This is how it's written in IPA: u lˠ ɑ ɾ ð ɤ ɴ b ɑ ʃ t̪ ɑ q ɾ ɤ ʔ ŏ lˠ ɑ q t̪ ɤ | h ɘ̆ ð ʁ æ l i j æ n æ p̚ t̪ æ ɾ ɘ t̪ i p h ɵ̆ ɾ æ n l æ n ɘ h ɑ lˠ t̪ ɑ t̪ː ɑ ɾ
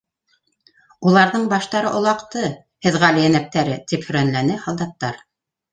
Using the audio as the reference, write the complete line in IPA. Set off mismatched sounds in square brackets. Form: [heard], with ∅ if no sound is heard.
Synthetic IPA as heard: u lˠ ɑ ɾ ð ɤ ɴ b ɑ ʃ t̪ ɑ [∅] ɾ ɤ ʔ ŏ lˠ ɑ q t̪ ɤ | h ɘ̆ ð ʁ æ l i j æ n æ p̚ t̪ æ ɾ ɘ t̪ i p h ɵ̆ ɾ æ n l æ n ɘ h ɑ lˠ [d̪] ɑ t̪ː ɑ ɾ